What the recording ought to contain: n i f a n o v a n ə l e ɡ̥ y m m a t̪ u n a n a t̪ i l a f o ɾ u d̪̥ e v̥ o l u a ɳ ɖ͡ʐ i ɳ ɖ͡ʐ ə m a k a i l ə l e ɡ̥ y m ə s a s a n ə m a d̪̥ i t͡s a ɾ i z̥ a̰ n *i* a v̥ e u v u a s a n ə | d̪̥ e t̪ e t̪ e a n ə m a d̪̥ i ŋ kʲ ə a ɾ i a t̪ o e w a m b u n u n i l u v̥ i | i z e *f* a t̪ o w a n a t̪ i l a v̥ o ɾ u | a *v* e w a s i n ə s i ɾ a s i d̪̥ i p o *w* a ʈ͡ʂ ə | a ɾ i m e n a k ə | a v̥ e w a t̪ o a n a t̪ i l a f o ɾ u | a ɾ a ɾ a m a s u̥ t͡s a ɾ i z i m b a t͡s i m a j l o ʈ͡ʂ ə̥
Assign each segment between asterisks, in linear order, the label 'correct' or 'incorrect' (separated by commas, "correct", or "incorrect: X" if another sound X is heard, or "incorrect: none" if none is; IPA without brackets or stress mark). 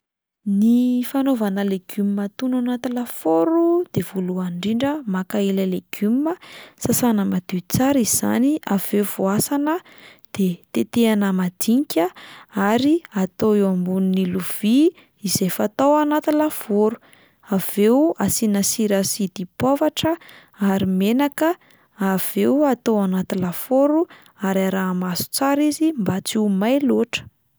correct, correct, correct, incorrect: v